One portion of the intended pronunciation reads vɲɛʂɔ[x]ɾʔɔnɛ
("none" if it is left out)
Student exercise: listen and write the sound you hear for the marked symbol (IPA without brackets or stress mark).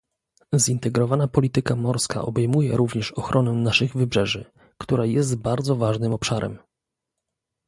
x